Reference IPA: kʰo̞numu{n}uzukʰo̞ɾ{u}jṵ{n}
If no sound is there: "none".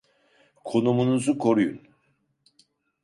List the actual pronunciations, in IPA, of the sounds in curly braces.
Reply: n, u, n

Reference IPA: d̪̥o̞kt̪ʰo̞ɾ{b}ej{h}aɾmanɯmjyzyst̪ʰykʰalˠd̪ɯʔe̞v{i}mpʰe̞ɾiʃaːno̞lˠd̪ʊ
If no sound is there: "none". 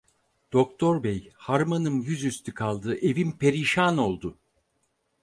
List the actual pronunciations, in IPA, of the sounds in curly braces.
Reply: b, h, i

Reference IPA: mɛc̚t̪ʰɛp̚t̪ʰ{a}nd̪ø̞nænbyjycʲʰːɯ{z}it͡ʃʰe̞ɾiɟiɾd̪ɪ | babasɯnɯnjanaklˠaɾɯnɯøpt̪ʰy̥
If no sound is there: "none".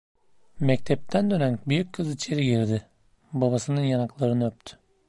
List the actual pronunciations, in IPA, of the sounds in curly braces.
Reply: æ, z

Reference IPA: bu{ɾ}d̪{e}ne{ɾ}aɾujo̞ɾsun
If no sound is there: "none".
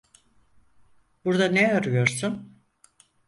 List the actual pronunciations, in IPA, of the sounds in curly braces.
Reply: ɾ, a, none

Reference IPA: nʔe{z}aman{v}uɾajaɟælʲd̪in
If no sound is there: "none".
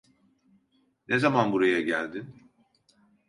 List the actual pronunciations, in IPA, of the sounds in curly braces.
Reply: z, b

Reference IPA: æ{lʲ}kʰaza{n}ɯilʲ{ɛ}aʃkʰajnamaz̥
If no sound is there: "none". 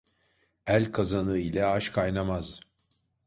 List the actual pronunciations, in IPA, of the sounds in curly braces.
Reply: lʲ, n, ɛ

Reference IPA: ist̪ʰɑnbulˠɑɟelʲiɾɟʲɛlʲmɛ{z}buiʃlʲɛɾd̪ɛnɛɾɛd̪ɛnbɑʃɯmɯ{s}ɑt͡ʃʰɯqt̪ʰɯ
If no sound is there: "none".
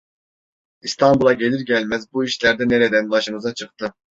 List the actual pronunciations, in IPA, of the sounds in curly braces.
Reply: z, z

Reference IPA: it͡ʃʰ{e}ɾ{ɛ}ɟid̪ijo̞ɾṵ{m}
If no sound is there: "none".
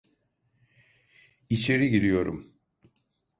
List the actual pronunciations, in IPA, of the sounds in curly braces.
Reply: e, i, m

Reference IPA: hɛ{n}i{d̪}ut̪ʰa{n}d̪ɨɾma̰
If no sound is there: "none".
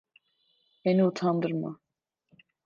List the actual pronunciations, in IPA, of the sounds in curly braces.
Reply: n, none, n

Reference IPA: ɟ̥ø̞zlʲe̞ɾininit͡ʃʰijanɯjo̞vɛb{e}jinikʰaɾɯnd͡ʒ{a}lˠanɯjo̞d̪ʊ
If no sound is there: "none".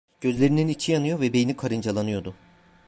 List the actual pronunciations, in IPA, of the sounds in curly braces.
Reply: e, a

